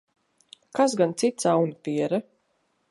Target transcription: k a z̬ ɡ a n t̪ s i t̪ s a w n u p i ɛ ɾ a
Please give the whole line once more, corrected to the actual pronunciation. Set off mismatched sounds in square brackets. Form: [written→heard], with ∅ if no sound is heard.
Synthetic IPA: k a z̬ ɡ a n t̪ s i t̪ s a w n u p i ɛ ɾ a

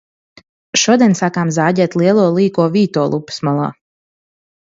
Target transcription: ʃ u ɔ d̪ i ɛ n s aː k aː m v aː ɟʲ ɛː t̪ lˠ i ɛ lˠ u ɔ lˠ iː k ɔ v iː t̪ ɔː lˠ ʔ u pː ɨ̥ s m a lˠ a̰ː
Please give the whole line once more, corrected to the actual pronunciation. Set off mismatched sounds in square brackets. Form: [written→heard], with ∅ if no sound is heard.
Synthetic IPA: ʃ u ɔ d̪ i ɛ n s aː k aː m [v→z] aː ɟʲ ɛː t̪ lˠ i ɛ lˠ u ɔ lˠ iː k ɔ v iː t̪ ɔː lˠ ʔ u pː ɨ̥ s m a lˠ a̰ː

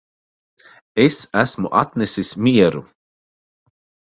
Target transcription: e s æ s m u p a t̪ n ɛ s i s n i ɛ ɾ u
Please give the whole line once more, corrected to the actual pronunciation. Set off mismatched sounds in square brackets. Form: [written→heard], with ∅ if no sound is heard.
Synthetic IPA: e s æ s m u [p→ʔ] a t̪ n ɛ s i s [n→m] i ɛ ɾ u

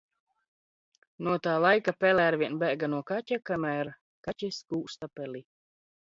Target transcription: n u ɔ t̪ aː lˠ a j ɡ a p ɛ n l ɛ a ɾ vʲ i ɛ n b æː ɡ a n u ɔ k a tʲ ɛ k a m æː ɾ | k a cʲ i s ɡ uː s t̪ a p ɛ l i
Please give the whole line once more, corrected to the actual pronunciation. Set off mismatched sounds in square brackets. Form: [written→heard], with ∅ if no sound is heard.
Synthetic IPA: n u ɔ t̪ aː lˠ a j [ɡ→k] a p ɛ [n→∅] l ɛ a ɾ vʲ i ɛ n b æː ɡ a n u ɔ k a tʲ [ɛ→a] k a m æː ɾ | k a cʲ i s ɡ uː s t̪ a p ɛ l i

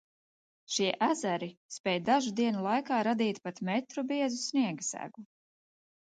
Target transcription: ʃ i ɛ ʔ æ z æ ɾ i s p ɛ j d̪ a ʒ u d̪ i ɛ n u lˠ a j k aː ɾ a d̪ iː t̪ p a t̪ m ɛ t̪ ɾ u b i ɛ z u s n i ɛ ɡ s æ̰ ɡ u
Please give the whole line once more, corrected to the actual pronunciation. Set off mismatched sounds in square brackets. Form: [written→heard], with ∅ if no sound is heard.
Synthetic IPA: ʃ i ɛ ʔ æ z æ ɾ i s p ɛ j d̪ a ʒ u d̪ i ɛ n u lˠ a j k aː ɾ a d̪ iː t̪ p a t̪ m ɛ t̪ ɾ u b i ɛ z u s n i ɛ ɡ s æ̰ ɡ u

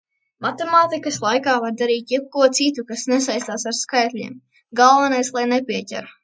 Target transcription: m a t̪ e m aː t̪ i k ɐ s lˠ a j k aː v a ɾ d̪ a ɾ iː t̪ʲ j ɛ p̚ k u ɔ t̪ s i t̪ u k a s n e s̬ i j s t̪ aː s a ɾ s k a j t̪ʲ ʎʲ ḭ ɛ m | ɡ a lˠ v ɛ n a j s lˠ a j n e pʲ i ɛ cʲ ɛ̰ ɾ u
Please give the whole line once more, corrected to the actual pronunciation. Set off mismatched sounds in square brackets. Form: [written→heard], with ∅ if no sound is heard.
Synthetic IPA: m a t̪ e m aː t̪ i k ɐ s lˠ a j k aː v a ɾ d̪ a ɾ iː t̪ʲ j ɛ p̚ k u ɔ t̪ s i t̪ u k a s n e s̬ [i→a] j s t̪ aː s a ɾ s k a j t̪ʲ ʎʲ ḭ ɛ m | ɡ a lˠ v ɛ n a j s lˠ a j n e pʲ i ɛ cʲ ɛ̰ ɾ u

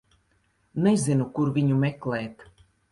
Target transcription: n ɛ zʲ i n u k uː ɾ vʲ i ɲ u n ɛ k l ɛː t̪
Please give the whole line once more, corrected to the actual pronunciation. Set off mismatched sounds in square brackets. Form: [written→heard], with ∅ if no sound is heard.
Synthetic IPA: n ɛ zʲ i n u k [uː→u] ɾ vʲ i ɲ u [n→m] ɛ k l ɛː t̪

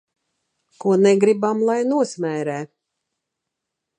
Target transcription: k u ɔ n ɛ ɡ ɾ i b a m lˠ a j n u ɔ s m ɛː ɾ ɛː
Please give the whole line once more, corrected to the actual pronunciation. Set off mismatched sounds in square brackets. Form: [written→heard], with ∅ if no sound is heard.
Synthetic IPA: k u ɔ n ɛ ɡ ɾ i b a m lˠ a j n u ɔ s m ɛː ɾ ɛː

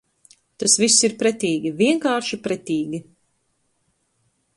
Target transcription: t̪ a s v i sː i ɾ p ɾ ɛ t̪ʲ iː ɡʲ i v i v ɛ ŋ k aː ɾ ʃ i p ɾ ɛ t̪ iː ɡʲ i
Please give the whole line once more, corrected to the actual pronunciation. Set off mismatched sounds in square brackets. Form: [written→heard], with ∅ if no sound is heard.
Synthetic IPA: t̪ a s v i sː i ɾ p ɾ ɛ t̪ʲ iː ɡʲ i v i [v→∅] ɛ ŋ k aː ɾ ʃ i p ɾ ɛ t̪ iː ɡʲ i

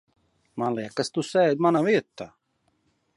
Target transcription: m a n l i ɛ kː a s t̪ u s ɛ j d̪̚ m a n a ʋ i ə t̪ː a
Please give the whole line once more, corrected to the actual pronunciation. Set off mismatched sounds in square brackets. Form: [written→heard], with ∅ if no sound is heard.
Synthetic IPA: m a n l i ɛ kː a s t̪ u s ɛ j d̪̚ m a n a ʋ i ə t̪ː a

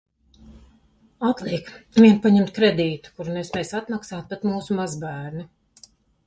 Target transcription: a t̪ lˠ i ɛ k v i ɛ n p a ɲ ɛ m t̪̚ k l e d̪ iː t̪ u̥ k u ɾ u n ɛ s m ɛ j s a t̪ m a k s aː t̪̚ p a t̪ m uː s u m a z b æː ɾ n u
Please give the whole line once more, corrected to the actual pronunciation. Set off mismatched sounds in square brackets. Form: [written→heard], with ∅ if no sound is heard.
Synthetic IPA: a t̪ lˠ i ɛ k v i ɛ n p a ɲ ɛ m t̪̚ k [l→ɾ] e d̪ iː t̪ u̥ k u ɾ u n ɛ s m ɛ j s a t̪ m a k s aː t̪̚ p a t̪ m uː s u m a z b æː ɾ n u

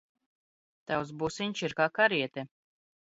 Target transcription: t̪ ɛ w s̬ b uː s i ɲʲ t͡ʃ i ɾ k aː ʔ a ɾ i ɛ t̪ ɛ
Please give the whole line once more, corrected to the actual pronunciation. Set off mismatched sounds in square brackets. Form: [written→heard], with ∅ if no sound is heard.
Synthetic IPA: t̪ [ɛ→a] w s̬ b [uː→u] s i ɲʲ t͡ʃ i ɾ k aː [ʔ→k] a ɾ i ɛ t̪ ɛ

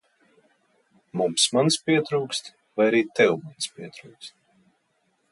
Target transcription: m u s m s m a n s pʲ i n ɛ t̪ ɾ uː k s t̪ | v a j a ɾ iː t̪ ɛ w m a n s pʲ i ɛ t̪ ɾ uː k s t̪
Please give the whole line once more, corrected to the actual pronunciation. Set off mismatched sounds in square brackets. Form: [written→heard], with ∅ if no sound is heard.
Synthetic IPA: m u [s→∅] m s m a n s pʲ i [n→∅] ɛ t̪ ɾ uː k s t̪ | v a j a ɾ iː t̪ ɛ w m a n s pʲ i ɛ t̪ ɾ uː k s t̪

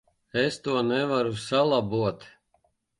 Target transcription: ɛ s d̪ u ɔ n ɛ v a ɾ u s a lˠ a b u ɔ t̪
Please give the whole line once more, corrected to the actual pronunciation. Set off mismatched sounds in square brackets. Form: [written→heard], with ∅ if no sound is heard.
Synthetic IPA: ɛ s [d̪→t̪] u ɔ n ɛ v a ɾ u s a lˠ a b u ɔ t̪

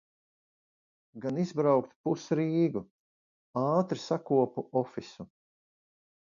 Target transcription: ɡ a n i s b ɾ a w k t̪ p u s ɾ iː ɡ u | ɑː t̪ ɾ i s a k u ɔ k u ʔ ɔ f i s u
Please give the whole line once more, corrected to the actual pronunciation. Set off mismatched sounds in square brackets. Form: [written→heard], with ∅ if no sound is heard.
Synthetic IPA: ɡ a n i [s→z] b ɾ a w k t̪ p u s ɾ iː ɡ u | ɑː t̪ ɾ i s a k u ɔ [k→p] u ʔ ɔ f i s u

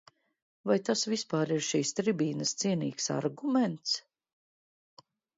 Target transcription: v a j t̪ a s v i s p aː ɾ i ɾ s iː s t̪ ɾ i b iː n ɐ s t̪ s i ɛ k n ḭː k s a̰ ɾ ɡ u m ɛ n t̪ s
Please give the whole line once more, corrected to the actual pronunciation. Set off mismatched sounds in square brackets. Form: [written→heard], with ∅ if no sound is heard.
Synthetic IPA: v a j t̪ a s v i s p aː ɾ i ɾ [s→ʃ] iː s t̪ ɾ i b iː n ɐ s t̪ s i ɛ [k→∅] n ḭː k s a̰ ɾ ɡ u m ɛ n t̪ s

